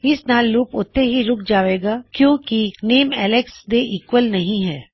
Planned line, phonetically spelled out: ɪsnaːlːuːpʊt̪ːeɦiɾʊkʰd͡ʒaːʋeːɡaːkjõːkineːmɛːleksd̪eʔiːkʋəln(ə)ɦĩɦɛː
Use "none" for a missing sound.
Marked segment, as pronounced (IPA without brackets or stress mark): ɐ